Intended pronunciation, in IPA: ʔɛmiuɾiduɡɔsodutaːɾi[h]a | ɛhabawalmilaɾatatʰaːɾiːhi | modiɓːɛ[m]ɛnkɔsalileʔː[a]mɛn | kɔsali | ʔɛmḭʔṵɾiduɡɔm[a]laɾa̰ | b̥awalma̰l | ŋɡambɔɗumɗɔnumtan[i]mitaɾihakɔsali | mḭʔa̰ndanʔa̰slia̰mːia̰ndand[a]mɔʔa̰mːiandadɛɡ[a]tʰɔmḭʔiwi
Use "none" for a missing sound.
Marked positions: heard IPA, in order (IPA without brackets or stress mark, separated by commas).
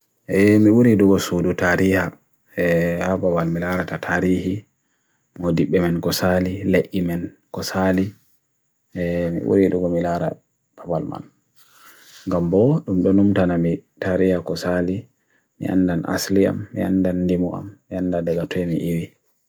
h, m, i, i, a, i, a